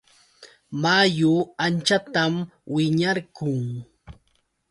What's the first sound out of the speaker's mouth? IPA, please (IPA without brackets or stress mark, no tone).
m